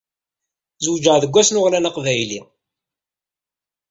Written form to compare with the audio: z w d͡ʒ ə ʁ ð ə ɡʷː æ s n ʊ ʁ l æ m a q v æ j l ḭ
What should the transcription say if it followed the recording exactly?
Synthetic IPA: z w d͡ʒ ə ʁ ð ə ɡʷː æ s n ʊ ʁ l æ n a q v æ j l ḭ

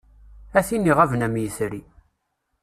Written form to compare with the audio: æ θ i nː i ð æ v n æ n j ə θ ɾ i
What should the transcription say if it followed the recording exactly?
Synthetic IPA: æ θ i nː i ʁ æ v n æ m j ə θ ɾ i

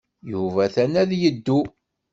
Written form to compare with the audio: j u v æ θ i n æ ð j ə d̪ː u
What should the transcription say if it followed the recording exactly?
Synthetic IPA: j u v æ θ æ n æ ð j ə d̪ː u

